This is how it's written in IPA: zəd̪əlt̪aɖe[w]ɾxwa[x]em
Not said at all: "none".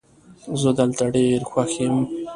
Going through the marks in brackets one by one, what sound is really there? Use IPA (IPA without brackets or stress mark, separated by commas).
none, x